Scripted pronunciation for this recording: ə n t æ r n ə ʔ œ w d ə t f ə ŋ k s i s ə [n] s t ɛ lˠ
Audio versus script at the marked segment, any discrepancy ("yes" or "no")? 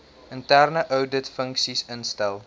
no